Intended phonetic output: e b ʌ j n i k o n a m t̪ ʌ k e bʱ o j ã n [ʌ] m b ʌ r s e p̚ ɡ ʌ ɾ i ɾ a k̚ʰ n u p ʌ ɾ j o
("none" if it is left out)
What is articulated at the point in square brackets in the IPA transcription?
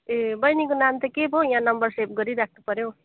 ʌ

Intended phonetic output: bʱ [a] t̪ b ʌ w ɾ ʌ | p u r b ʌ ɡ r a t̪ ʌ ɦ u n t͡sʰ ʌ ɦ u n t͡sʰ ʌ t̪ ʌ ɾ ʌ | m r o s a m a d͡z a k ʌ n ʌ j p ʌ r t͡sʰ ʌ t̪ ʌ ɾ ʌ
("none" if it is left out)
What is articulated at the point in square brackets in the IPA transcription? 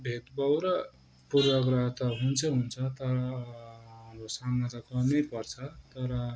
e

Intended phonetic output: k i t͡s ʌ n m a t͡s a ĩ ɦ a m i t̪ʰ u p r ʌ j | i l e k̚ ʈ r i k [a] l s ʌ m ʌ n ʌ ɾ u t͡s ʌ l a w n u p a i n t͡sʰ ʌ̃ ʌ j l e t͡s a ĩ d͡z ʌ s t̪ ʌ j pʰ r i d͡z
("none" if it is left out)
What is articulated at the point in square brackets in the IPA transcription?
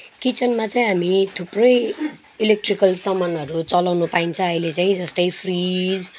ʌ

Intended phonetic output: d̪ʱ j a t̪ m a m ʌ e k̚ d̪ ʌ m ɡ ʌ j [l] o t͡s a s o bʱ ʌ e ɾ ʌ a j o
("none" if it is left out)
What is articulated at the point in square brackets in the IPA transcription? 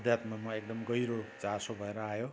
ɾ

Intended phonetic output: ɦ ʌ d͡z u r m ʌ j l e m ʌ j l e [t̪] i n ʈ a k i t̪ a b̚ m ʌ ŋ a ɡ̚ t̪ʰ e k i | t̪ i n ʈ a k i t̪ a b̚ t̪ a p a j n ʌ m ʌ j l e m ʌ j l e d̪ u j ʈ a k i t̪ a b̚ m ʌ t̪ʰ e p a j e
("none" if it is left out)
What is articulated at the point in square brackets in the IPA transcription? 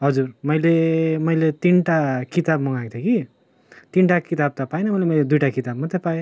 t̪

